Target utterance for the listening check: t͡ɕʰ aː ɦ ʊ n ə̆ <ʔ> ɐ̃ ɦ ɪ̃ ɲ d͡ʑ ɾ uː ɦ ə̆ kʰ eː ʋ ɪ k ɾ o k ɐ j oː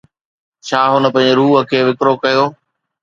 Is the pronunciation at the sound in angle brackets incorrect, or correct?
incorrect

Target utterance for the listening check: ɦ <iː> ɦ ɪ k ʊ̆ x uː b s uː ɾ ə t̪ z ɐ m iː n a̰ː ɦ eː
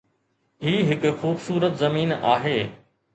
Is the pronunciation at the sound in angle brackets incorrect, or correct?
correct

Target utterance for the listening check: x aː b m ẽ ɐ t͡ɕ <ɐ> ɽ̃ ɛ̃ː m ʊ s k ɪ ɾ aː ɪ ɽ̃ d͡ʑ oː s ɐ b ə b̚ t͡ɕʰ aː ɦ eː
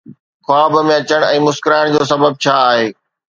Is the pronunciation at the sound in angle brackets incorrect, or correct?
incorrect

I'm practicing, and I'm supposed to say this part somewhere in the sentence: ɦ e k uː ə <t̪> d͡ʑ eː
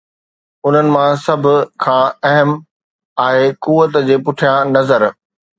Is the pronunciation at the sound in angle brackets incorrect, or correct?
correct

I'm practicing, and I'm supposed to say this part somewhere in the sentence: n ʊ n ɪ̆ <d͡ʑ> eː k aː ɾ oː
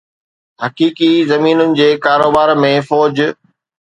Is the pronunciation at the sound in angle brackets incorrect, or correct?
correct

